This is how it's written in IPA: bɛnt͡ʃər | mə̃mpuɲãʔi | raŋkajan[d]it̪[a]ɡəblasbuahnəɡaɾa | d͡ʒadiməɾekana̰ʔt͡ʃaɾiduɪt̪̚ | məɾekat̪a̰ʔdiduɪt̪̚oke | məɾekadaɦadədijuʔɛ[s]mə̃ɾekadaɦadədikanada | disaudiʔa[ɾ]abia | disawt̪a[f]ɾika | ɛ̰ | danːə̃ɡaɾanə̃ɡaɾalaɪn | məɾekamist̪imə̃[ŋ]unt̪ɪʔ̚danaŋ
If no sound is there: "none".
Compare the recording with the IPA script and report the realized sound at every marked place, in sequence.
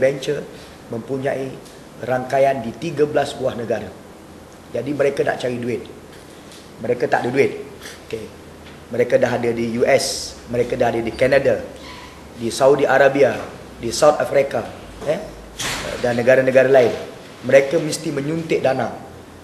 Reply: d, i, s, ɾ, f, ɲ

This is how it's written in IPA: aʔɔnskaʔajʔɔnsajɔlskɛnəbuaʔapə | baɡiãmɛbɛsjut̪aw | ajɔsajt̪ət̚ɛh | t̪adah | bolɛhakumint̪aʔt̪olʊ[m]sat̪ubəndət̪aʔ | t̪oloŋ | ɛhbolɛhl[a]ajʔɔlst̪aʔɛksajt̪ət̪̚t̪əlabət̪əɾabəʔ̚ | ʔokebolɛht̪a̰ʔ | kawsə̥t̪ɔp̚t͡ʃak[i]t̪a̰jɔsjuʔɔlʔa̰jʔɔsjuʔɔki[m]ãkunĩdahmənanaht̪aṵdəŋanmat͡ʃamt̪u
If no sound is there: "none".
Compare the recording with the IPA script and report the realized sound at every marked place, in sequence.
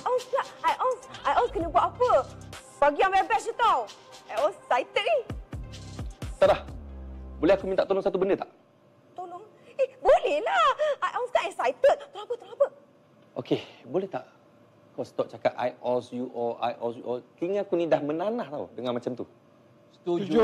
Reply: ŋ, a, a, ŋ

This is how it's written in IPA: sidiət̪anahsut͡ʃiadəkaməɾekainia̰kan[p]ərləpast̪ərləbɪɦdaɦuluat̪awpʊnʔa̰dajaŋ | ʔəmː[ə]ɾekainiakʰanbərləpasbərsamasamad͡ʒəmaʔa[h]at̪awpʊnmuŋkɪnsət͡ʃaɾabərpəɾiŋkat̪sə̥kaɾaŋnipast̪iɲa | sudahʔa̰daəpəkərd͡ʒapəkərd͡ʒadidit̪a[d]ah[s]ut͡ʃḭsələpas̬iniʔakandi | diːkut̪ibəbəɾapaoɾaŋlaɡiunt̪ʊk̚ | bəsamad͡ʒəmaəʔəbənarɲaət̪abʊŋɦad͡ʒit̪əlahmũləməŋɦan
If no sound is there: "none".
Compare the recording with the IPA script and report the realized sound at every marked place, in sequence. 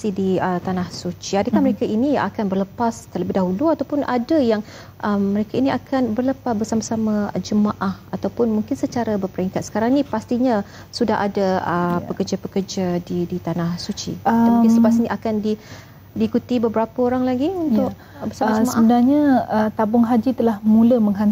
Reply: b, ə, h, n, s

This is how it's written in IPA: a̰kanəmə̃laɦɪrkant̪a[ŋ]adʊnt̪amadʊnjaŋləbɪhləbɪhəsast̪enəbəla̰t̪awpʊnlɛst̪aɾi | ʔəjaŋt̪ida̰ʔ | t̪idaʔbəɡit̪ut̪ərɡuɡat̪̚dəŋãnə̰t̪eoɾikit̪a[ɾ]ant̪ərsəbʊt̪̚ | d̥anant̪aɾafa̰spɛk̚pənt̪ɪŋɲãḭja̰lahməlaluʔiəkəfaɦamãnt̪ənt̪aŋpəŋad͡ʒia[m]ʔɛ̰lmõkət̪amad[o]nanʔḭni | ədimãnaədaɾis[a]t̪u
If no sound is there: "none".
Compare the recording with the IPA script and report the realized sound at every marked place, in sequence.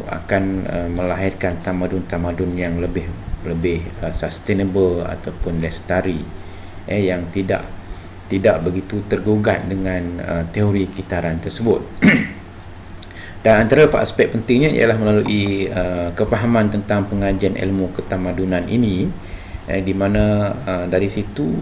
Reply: m, ɾ, n, u, i

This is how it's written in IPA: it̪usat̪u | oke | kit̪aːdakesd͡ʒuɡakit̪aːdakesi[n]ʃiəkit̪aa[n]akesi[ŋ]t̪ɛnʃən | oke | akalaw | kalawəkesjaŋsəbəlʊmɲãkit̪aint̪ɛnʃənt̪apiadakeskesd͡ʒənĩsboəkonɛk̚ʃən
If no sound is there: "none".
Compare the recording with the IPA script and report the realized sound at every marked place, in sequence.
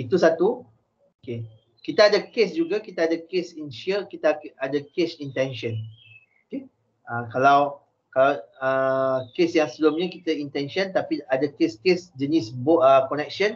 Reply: n, d, n

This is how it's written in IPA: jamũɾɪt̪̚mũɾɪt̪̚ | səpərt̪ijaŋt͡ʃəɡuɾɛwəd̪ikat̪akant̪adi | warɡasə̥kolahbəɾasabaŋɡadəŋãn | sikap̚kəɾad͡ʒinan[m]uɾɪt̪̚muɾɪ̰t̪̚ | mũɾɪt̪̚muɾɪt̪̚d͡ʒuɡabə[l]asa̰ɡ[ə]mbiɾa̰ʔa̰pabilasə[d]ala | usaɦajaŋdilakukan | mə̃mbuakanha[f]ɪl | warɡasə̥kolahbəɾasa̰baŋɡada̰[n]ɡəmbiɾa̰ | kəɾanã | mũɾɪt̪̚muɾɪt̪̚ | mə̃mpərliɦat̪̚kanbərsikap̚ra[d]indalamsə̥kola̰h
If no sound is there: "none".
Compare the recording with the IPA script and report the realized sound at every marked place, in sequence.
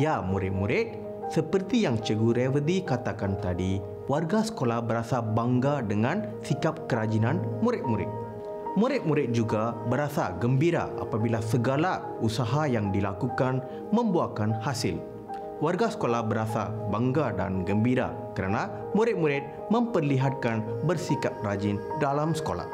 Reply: m, ɾ, ə, ɡ, s, n, d͡ʒ

